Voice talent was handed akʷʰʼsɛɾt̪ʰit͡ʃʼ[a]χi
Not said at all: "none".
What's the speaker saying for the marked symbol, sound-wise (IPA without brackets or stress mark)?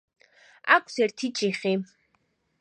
i